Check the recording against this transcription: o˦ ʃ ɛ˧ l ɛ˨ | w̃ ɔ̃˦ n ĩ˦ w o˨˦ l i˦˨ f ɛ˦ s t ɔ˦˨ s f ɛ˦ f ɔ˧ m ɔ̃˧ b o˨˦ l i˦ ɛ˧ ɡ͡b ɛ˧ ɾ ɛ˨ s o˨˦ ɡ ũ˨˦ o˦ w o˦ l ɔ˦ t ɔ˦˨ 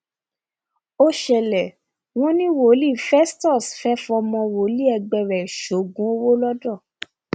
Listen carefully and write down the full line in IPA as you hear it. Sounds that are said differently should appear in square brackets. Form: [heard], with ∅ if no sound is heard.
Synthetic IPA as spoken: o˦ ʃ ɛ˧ l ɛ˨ | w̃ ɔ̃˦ n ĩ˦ w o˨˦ l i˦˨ f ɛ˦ s t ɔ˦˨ s f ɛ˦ f ɔ˧ m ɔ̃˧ [w] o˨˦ l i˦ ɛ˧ ɡ͡b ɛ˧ ɾ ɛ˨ [ʃ] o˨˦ ɡ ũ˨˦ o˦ w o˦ l ɔ˦ [d] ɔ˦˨